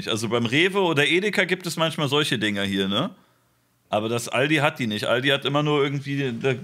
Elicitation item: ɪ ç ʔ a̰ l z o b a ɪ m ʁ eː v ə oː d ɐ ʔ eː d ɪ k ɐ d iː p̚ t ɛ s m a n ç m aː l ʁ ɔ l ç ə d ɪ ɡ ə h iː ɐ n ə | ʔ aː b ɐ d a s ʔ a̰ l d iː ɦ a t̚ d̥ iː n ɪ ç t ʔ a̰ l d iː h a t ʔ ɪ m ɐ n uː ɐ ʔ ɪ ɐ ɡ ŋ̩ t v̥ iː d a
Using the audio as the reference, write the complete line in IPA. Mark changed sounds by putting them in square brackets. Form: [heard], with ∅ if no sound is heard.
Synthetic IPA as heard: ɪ ç ʔ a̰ l z o b a ɪ m ʁ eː v ə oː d ɐ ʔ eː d ɪ k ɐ [ɡ] iː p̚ t ɛ s m a n ç m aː l [z] ɔ l ç ə d ɪ [ŋ] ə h iː ɐ n ə | ʔ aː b ɐ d a s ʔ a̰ l d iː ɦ a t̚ d̥ iː n ɪ ç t ʔ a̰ l d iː h a t ʔ ɪ m ɐ n uː ɐ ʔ ɪ ɐ ɡ ŋ̩ t v̥ iː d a

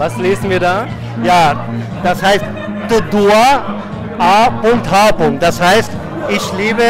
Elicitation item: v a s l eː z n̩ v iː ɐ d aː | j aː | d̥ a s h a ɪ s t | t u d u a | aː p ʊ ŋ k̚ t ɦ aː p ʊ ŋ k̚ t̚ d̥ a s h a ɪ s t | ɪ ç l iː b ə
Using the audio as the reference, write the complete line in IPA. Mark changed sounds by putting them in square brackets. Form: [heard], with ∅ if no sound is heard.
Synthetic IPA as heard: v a s l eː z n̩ v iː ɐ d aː | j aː | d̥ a s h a ɪ s t | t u d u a | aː p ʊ ŋ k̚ t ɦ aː p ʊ ŋ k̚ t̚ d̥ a s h a ɪ s t | ɪ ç l iː b ə

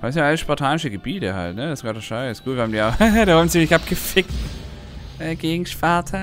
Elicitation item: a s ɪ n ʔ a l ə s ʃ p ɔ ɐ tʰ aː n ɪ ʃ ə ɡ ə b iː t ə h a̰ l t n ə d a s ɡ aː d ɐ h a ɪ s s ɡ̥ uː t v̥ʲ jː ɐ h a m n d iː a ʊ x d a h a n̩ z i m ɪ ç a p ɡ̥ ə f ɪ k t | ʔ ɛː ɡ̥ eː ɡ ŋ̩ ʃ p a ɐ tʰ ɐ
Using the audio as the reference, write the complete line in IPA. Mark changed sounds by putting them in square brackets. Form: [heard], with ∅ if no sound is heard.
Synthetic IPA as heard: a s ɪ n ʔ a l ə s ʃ p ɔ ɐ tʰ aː n ɪ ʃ ə ɡ ə b iː t ə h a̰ l t n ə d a s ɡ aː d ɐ [ʃ] a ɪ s s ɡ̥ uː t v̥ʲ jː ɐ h a m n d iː a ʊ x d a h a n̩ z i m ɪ ç a p ɡ̥ ə f ɪ k t | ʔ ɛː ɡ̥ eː ɡ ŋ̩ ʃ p a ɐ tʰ ɐ

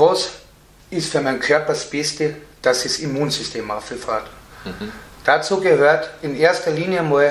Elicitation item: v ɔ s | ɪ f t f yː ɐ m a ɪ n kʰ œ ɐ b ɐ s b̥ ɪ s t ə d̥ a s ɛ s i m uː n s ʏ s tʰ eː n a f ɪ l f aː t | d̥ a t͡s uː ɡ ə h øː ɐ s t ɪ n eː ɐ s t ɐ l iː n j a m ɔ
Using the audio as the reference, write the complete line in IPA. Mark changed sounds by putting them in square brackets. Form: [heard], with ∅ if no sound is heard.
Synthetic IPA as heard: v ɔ s | ɪ [s] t f yː ɐ m a ɪ n kʰ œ ɐ [p] ɐ s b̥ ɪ s t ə d̥ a s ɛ s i m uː n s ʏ s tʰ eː [m] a f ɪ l f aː t | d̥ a t͡s uː ɡ ə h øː ɐ [∅] t ɪ n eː ɐ s t ɐ l iː n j [ə] m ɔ

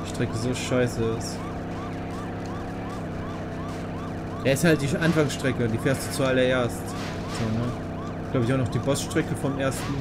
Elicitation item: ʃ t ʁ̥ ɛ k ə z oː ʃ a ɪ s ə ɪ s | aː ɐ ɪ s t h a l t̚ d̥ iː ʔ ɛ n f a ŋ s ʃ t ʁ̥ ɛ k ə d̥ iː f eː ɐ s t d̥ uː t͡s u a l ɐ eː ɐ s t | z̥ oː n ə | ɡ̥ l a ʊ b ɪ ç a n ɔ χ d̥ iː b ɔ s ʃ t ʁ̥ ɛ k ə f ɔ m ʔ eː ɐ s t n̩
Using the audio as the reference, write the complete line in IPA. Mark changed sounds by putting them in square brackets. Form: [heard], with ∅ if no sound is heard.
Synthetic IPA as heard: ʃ t ʁ̥ ɛ k ə z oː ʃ a ɪ s ə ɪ s | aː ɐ ɪ s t h a l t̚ d̥ iː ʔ [a] n f a ŋ s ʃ t ʁ̥ ɛ k ə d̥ iː f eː ɐ s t d̥ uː t͡s u a l ɐ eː ɐ s t | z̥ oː n ə | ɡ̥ l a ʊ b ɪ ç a n ɔ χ d̥ iː b ɔ s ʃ t ʁ̥ ɛ k ə f ɔ m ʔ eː ɐ s t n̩

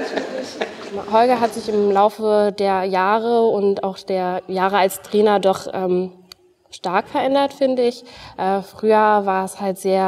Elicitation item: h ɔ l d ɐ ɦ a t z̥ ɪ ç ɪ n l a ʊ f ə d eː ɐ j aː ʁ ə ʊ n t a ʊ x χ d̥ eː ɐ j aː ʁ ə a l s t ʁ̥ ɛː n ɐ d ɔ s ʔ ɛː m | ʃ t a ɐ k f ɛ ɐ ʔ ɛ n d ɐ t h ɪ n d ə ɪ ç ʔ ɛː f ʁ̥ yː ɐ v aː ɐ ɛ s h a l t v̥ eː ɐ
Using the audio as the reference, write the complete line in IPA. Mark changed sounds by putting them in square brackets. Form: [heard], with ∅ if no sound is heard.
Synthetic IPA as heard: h ɔ l [ɡ] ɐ ɦ a t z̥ ɪ ç ɪ [m] l a ʊ f ə d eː ɐ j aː ʁ ə ʊ n t a ʊ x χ d̥ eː ɐ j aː ʁ ə a l s t ʁ̥ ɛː n ɐ d ɔ [χ] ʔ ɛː m | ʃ t a ɐ k f ɛ ɐ ʔ ɛ n d ɐ t [f] ɪ n d ə ɪ ç ʔ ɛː f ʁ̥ yː ɐ v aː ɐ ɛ s h a l t [z̥] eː ɐ

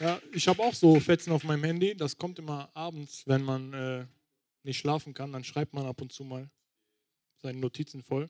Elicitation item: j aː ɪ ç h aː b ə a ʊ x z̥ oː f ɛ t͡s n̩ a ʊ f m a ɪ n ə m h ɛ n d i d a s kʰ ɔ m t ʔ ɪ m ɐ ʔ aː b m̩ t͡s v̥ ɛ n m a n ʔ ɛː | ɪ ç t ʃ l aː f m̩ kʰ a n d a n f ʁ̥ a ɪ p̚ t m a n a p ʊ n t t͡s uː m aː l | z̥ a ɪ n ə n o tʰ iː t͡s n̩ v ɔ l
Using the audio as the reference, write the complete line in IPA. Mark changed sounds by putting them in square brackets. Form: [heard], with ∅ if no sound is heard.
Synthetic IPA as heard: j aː ɪ ç h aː b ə a ʊ x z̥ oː f ɛ t͡s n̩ a ʊ f m a ɪ n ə m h ɛ n d i d a s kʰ ɔ m t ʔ ɪ m ɐ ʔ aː b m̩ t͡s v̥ ɛ n m a n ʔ ɛː | ɪ ç t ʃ l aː f [n̩] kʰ a n d a n [ʃ] ʁ̥ a ɪ p̚ t m a n a p ʊ n t t͡s uː m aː l | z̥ a ɪ n ə n o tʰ iː t͡s n̩ [f] ɔ l

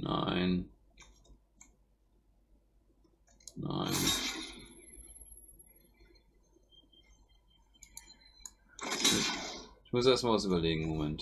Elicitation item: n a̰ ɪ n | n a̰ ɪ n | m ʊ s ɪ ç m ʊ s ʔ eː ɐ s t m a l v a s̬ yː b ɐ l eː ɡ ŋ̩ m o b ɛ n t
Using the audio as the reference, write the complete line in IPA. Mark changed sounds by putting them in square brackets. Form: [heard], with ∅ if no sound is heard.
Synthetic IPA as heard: n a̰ ɪ n | n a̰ ɪ n | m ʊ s ɪ ç m ʊ s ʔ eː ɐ s t m a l v a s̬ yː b ɐ l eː ɡ ŋ̩ m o [m] ɛ n t

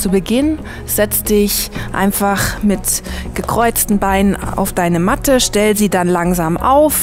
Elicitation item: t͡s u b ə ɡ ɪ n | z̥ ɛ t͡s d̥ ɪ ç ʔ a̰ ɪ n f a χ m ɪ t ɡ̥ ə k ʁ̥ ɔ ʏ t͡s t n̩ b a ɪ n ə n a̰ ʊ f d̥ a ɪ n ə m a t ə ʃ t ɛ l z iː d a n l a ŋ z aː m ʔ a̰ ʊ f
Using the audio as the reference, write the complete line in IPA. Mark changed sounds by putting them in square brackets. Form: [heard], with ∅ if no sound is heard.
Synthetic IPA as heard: t͡s u b ə ɡ ɪ n | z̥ ɛ t͡s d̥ ɪ ç ʔ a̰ ɪ n f a χ m ɪ t ɡ̥ ə k ʁ̥ ɔ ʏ t͡s t n̩ b a ɪ n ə n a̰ ʊ f d̥ a ɪ n ə m a t ə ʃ t ɛ l z iː d a n l a ŋ z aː m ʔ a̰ ʊ f

